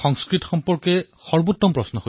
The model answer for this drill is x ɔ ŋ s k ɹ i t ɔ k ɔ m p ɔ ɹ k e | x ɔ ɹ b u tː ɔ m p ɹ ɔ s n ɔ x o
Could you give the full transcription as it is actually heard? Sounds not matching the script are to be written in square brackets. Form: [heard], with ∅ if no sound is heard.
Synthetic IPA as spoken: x ɔ ŋ s k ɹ i t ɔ [x] ɔ m p ɔ ɹ k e | x ɔ ɹ b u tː ɔ m p ɹ ɔ s n ɔ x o